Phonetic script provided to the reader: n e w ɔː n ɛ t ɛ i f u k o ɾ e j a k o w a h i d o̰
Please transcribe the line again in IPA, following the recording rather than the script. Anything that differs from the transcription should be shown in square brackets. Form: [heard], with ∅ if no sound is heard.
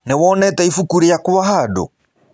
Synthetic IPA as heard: n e w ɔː n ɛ t ɛ i f u k [u] ɾ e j a k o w a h [a] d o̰